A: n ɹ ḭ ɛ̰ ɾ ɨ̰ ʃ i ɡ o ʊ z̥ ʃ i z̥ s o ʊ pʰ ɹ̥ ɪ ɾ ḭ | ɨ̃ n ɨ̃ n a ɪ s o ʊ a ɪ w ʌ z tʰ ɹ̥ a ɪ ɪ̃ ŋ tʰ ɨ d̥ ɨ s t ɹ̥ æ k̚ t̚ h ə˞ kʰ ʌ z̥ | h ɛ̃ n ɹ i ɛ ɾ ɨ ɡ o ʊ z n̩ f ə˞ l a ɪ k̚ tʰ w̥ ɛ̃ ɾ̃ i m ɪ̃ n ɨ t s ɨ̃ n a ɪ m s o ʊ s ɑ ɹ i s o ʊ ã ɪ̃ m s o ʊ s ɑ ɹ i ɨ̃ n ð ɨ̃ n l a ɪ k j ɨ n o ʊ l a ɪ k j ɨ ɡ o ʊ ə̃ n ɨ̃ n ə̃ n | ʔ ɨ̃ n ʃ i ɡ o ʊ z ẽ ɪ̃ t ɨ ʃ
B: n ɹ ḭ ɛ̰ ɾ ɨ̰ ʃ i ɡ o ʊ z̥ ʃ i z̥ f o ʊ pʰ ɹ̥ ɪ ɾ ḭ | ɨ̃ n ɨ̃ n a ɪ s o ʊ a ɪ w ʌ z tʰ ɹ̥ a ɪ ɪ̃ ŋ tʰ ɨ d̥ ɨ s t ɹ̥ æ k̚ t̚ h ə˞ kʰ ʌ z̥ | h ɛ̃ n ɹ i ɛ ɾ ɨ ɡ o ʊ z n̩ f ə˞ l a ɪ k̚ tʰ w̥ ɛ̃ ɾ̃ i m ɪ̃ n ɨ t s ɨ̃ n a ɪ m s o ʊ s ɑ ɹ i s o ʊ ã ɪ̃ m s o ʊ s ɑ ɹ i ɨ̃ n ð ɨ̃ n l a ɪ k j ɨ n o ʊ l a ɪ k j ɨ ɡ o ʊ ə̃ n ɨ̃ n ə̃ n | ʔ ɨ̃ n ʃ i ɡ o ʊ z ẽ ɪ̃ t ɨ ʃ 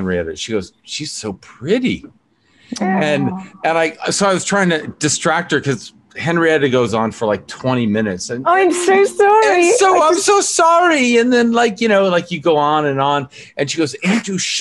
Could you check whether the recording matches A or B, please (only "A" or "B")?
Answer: A